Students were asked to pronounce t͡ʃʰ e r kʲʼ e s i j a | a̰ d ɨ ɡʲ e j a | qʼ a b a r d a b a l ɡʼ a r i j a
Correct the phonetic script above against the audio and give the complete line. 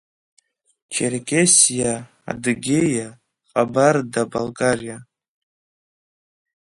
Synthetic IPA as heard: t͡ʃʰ e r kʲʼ e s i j a | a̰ d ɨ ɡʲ e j a | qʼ a b a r d a b a l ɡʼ a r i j a